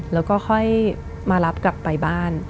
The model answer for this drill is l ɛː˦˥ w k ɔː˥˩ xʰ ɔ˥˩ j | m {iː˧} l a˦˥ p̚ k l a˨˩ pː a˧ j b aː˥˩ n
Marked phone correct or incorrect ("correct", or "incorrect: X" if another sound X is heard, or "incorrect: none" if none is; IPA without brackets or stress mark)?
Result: incorrect: aː˧